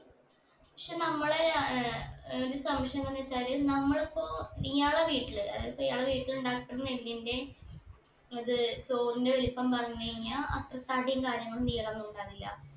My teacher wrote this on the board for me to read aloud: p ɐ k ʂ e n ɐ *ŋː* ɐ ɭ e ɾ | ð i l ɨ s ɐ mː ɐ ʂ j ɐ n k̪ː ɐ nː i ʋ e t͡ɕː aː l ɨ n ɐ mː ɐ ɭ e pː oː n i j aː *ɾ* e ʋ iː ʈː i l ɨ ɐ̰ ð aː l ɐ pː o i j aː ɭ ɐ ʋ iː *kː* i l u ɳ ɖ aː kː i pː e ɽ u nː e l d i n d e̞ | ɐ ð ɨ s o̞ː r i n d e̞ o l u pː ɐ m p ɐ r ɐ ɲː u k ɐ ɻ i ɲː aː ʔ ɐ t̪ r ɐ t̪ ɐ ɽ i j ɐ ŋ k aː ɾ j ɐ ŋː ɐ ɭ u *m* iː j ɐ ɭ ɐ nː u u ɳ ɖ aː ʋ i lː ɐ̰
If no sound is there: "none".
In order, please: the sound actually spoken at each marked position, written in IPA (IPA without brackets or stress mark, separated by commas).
mː, ɭ, ʈː, n